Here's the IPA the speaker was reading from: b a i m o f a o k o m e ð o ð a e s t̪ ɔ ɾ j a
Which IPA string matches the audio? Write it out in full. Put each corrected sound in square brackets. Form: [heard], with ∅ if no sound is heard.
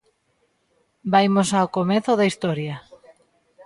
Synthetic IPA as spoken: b a [j] m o [s] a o k o m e [θ] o ð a [i] s t̪ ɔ ɾ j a